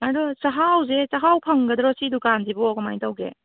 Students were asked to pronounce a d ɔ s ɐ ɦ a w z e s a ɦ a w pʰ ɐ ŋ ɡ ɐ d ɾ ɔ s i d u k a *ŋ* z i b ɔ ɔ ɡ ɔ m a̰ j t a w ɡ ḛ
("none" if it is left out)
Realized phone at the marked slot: n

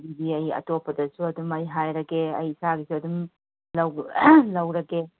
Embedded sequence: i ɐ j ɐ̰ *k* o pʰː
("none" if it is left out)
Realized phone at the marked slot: t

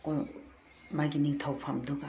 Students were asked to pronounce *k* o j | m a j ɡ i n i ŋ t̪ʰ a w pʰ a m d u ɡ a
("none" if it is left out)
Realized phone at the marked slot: k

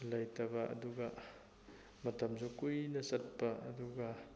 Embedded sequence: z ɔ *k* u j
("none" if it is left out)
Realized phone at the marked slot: k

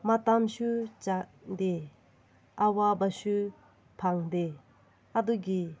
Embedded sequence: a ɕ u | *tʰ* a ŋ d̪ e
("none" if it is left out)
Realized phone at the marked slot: pʰ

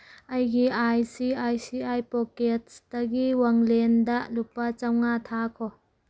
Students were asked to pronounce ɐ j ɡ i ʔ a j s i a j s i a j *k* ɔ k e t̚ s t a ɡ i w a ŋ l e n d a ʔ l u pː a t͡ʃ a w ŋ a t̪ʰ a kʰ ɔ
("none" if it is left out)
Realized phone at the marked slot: p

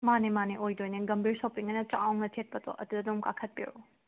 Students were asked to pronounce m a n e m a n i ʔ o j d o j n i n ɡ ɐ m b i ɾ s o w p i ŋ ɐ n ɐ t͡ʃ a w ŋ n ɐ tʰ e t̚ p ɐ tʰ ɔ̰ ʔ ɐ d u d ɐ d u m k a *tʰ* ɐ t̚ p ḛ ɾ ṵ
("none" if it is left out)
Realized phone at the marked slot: kʰ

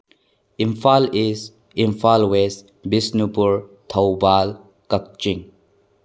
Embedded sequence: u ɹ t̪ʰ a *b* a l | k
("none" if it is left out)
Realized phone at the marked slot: b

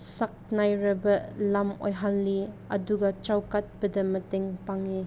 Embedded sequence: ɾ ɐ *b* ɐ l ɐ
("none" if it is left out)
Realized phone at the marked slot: b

